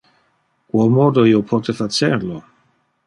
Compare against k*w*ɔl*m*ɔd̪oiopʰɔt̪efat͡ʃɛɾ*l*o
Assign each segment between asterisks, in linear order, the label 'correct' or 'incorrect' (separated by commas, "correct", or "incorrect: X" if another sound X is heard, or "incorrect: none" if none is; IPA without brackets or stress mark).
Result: correct, correct, correct